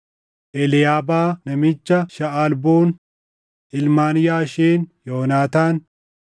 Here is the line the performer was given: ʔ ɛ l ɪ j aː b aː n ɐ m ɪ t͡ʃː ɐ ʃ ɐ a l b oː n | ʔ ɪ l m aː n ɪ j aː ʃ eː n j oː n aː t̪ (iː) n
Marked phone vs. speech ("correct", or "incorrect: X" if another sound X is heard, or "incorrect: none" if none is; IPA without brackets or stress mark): incorrect: aː